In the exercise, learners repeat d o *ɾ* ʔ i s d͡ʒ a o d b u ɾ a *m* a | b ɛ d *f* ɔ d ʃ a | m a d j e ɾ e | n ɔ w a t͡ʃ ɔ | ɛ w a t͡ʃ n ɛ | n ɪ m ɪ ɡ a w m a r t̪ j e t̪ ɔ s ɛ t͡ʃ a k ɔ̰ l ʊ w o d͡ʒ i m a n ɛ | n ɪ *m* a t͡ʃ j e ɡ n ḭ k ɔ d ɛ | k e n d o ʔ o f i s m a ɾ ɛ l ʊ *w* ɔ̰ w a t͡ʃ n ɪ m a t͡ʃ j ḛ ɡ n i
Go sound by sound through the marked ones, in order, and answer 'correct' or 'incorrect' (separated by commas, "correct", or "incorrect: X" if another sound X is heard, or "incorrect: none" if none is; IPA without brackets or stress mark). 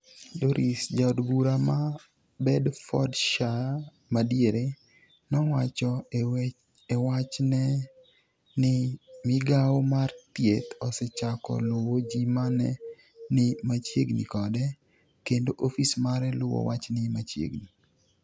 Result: correct, correct, correct, correct, correct